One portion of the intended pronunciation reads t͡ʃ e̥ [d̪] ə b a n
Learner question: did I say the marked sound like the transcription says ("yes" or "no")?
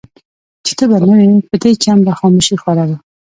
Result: no